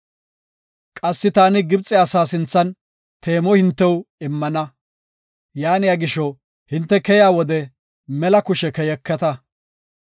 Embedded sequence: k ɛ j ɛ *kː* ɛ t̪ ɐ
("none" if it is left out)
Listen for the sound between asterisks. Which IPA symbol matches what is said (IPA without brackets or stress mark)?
kː